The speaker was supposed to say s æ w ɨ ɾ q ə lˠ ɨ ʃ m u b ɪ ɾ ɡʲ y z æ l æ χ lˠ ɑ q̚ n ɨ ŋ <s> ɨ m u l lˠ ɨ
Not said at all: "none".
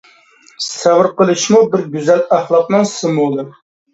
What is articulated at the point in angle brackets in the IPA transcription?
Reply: s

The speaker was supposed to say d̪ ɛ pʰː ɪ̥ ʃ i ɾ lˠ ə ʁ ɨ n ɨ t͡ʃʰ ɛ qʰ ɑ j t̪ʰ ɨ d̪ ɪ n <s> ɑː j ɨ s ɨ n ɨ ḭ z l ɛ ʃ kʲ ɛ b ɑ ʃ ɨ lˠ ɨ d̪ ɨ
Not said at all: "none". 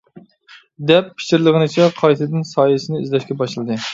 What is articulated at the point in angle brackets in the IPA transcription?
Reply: s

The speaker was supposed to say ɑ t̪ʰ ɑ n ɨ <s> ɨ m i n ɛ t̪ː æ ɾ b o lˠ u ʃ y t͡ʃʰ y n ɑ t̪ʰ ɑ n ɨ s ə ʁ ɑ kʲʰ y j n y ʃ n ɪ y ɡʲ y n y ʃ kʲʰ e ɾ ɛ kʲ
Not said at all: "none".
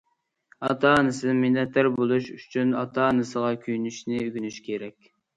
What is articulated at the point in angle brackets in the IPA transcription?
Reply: s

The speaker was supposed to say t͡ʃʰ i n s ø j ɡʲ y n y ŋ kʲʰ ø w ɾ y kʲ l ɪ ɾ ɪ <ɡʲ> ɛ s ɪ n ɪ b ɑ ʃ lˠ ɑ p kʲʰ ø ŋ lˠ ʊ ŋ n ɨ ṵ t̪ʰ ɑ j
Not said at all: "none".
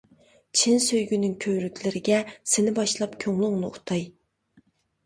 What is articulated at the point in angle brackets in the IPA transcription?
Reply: ɡʲ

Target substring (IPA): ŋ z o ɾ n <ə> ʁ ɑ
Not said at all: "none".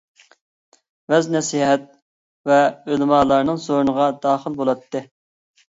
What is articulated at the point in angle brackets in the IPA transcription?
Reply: ə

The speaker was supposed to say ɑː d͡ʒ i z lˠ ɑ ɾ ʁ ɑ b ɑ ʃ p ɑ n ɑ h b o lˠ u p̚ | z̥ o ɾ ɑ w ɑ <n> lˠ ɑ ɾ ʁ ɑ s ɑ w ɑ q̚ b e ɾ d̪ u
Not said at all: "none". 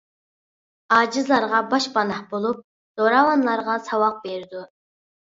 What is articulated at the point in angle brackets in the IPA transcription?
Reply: n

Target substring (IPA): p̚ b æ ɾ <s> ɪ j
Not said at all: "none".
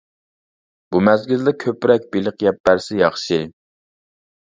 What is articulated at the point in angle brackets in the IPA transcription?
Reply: s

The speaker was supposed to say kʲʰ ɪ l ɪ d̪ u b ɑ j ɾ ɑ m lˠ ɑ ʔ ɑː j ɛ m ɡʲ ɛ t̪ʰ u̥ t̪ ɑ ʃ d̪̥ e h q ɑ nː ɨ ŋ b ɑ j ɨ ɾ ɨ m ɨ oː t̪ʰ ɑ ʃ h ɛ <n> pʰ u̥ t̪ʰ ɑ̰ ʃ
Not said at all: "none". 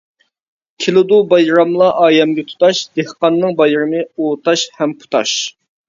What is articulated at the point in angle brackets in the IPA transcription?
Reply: m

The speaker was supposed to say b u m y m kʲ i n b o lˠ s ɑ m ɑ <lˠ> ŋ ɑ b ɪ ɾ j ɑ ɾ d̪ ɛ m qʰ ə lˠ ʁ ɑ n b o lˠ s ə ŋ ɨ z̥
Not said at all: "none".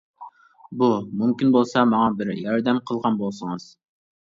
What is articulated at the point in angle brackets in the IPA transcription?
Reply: none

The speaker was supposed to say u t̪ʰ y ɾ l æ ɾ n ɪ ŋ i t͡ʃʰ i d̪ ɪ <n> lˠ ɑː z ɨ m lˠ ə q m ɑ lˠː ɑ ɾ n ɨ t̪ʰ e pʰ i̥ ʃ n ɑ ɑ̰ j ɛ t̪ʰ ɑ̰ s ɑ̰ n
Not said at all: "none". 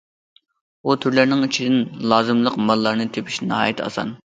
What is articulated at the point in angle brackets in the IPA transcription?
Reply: n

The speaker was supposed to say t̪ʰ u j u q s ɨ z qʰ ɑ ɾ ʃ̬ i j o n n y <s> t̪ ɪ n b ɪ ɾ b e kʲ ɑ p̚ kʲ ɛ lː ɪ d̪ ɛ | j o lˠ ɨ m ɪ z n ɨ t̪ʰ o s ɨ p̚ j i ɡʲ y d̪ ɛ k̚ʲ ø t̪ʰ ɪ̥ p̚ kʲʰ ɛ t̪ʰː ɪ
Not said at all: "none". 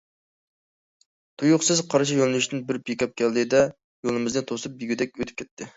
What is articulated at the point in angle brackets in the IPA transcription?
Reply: ʃ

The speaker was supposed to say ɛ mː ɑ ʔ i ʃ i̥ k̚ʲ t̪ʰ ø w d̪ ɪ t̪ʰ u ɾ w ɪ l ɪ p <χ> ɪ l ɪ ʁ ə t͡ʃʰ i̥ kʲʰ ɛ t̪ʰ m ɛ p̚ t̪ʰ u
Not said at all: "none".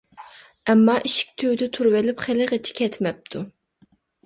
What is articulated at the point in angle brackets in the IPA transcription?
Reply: χ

